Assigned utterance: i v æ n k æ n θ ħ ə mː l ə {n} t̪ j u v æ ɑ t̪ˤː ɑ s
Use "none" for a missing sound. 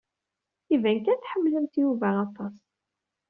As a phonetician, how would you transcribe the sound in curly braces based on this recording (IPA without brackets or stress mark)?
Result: m